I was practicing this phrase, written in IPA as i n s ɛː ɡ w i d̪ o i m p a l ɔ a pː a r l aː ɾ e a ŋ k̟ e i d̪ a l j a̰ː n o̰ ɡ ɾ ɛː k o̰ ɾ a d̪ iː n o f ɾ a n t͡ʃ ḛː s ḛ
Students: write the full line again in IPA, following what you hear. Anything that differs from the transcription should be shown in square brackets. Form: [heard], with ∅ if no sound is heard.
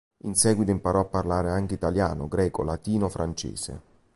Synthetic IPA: i n s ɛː ɡ w i [t̪] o i m p a [ɾ] ɔ a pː a r l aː ɾ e a ŋ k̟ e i [t̪] a l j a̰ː n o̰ ɡ ɾ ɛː k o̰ [l] a [t̪] iː n o f ɾ a n t͡ʃ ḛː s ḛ